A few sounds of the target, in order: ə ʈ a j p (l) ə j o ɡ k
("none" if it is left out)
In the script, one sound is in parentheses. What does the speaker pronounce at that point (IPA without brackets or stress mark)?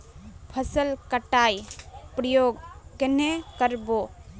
ɾ